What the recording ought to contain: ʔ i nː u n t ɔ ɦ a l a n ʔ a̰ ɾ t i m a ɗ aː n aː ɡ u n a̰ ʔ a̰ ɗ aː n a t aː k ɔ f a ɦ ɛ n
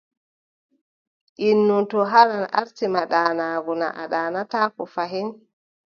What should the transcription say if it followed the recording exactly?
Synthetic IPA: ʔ i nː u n t ɔ ɦ a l a n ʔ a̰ ɾ t i m a ɗ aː n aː ɡ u n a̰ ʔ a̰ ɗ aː n a t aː k ɔ f a ɦ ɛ n